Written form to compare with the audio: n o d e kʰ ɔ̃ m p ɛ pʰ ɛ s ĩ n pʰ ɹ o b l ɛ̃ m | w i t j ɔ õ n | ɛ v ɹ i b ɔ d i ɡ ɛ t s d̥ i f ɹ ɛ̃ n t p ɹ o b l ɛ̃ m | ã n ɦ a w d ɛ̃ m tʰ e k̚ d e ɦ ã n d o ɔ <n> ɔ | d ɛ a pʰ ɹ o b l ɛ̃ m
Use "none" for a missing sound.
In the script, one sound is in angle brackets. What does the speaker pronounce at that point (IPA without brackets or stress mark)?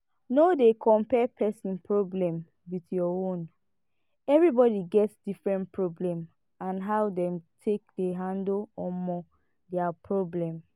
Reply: m